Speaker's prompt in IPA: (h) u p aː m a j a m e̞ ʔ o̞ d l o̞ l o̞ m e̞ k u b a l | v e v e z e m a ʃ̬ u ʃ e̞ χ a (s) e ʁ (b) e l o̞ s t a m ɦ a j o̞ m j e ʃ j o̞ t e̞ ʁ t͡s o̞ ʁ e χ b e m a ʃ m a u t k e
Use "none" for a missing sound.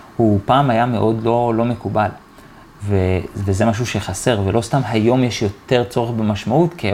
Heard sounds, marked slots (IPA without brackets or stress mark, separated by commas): h, s, v